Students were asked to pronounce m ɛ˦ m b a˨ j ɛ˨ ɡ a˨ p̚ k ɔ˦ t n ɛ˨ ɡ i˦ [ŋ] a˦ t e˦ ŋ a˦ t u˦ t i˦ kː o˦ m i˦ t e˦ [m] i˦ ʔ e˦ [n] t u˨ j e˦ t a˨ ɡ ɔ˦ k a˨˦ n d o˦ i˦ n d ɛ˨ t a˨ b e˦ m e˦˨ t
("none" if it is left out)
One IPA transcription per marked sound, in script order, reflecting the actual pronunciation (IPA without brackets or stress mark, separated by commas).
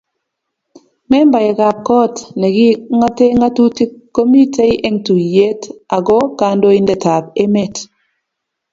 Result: ŋ, none, ŋ